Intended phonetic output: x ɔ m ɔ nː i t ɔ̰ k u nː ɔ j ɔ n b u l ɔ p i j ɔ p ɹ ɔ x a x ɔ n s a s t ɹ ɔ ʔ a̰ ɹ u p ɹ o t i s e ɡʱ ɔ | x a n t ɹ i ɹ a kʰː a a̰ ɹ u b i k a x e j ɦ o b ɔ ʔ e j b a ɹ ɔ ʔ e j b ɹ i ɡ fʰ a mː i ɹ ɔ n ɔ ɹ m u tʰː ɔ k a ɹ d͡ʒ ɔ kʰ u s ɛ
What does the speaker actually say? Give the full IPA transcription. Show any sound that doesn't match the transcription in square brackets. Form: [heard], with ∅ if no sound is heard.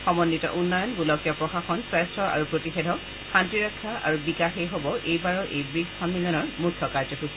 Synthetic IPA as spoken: x ɔ m ɔ nː i t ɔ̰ [ʔ] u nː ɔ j ɔ n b u l ɔ [k] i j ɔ p ɹ ɔ x a x ɔ n s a s t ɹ ɔ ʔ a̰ ɹ u p ɹ o t i [x] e [dʱ] ɔ | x a n t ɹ i ɹ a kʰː a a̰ ɹ u b i k a x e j ɦ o b ɔ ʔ e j b a ɹ ɔ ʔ e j b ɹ i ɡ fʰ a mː i [l] ɔ n ɔ ɹ m u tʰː ɔ k a ɹ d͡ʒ ɔ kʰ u s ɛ